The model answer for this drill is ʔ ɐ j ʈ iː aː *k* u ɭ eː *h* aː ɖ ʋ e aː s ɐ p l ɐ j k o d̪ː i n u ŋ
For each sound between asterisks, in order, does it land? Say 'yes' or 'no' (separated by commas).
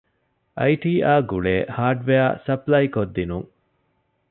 no, yes